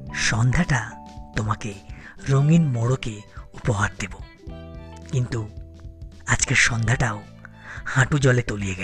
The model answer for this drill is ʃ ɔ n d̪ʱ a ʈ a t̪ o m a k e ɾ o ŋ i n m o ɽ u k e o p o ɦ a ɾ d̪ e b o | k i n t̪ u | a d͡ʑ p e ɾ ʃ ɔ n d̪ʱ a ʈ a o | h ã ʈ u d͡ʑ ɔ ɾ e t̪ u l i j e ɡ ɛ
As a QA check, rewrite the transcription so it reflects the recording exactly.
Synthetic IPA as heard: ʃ ɔ n d̪ʱ a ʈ a t̪ o m a k e ɾ o ŋ i n m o ɽ o k e u p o ɦ a ɾ d̪ e b o | k i n t̪ u | a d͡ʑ k e ɾ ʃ ɔ n d̪ʱ a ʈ a o | h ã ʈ u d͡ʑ ɔ l e t̪ o l i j e ɡ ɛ